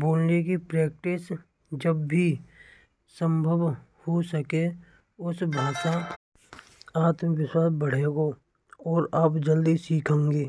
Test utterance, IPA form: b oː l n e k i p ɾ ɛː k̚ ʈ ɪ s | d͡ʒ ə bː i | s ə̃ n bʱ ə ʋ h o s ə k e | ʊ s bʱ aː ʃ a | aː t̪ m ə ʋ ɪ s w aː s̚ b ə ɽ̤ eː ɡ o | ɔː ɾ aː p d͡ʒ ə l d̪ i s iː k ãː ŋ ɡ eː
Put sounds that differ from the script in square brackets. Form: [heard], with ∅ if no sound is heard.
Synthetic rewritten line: b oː l n e k i p ɾ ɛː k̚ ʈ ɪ s | d͡ʒ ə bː i | s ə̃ [m] bʱ ə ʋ h o s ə k e | ʊ s bʱ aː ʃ a | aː t̪ m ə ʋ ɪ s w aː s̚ b ə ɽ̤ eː ɡ o | ɔː ɾ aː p d͡ʒ ə l d̪ i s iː [kʰ] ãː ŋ ɡ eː